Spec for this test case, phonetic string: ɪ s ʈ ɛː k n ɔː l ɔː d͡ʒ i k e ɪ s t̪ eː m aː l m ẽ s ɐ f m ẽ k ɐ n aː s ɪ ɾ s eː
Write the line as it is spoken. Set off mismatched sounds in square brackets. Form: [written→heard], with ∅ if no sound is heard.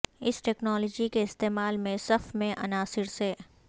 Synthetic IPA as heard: ɪ s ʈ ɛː k n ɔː l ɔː d͡ʒ i k e ɪ s t̪ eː m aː l m ẽ s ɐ f m ẽ [k→ʔ] ɐ n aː s ɪ ɾ s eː

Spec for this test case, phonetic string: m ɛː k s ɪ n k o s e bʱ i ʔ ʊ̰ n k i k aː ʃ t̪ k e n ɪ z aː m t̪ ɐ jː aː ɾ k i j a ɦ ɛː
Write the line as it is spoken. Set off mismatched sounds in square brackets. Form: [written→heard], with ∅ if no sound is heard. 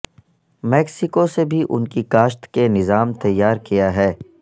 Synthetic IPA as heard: m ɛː k s ɪ [n→∅] k o s e bʱ i ʔ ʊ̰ n k i k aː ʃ t̪ k e n ɪ z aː m t̪ ɐ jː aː ɾ k i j a ɦ ɛː

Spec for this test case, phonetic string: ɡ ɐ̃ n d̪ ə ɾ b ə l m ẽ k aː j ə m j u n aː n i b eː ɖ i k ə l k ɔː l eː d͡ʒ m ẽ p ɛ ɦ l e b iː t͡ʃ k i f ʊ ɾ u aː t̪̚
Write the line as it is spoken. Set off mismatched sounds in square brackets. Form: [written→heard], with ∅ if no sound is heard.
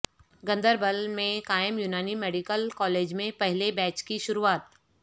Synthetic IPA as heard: ɡ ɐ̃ n d̪ ə ɾ b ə l m ẽ k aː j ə m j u n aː n i [b→m] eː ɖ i k ə l k ɔː l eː d͡ʒ m ẽ p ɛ ɦ l e b [iː→ɛː] t͡ʃ k i [f→ʃ] ʊ ɾ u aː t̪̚

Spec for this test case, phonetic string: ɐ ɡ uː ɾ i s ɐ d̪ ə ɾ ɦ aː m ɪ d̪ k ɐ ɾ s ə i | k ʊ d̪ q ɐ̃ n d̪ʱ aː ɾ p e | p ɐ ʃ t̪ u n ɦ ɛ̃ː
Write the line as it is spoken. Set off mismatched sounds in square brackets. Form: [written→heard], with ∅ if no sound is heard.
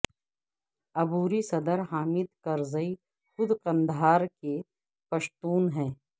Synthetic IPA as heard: ɐ [ɡ→b] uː ɾ i s ɐ d̪ ə ɾ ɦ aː m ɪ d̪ k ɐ ɾ [s→z] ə i | [k→x] ʊ d̪ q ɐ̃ n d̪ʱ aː ɾ [p→k] e | p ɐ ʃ t̪ [u→uː] n ɦ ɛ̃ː

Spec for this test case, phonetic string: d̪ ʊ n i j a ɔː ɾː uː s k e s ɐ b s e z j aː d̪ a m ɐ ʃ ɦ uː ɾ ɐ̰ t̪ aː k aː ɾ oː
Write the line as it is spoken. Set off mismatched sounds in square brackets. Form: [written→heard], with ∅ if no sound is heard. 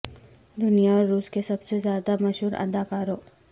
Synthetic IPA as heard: d̪ ʊ n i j a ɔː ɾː uː s k e s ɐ b s e z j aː d̪ a m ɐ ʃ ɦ uː ɾ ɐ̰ [t̪→d̪] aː k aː ɾ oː

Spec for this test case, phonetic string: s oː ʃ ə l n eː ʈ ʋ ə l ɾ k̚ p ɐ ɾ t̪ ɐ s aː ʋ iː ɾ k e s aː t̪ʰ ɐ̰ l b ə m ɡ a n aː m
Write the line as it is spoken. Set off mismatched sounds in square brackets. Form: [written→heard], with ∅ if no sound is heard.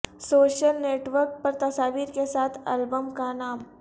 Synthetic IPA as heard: s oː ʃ ə l n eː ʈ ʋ ə [l→∅] ɾ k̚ p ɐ ɾ t̪ ɐ s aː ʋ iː ɾ k e s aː t̪ʰ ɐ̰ l b ə m [ɡ→k] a n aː m

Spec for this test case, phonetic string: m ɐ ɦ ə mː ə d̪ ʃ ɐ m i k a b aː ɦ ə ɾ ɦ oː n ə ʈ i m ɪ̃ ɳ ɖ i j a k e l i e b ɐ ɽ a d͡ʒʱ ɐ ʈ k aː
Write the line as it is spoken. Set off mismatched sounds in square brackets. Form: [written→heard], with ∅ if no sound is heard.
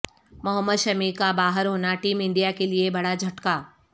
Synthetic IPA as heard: m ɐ ɦ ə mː ə d̪ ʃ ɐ m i k a b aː ɦ ə ɾ ɦ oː n [ə→a] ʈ [i→iː] m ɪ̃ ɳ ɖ i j a k e l i e b ɐ ɽ a d͡ʒʱ ɐ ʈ k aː

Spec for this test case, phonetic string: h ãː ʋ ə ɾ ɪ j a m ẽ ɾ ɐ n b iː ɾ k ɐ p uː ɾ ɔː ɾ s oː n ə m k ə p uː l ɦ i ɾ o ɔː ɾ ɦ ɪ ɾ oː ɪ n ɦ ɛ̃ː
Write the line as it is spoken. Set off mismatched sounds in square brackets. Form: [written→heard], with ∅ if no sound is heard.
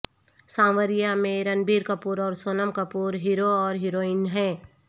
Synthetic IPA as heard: [h→s] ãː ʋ ə ɾ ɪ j a m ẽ ɾ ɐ n b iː ɾ k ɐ p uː ɾ ɔː ɾ s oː n ə m k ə p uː [l→ɾ] ɦ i ɾ o ɔː ɾ ɦ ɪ ɾ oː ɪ n ɦ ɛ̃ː

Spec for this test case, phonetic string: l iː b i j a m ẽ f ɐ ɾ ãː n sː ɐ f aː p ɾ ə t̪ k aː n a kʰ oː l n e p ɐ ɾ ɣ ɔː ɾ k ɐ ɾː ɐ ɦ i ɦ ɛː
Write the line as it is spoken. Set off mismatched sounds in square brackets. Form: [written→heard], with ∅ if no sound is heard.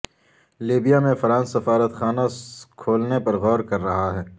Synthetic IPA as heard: l iː b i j a m ẽ f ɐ ɾ ãː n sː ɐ f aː [p→∅] ɾ ə t̪ [k→x] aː n a kʰ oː l n e p ɐ ɾ ɣ ɔː ɾ k ɐ ɾː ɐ ɦ [i→a] ɦ ɛː

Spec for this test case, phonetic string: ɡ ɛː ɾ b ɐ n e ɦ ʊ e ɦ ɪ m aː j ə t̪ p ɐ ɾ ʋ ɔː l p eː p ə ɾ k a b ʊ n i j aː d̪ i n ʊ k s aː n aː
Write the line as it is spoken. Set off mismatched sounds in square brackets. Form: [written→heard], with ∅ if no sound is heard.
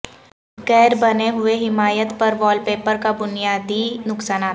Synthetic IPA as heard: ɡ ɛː ɾ b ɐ n e ɦ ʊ e ɦ ɪ m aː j ə t̪ p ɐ ɾ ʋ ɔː l p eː p ə ɾ k a b ʊ n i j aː d̪ i n ʊ k s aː n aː

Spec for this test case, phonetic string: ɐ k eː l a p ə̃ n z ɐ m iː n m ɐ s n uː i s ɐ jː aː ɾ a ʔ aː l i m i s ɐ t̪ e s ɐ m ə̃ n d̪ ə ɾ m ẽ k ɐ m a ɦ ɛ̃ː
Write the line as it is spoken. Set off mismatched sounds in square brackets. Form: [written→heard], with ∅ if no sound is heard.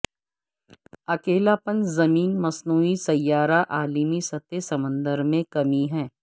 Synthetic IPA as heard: ɐ k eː l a p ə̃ n z ɐ m iː n m ɐ s n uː i s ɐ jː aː ɾ a ʔ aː l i m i s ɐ t̪ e s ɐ m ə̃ n d̪ ə ɾ m ẽ k ɐ m [a→i] ɦ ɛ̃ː

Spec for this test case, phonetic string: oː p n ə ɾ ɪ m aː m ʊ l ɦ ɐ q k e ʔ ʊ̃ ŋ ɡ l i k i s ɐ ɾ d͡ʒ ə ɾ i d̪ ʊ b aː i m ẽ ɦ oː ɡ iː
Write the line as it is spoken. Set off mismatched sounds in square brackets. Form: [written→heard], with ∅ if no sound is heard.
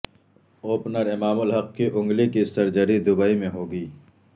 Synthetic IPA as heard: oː p n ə ɾ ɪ m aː m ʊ l ɦ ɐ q k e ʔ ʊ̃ ŋ ɡ l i k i s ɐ ɾ d͡ʒ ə ɾ i d̪ ʊ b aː i m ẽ ɦ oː ɡ iː

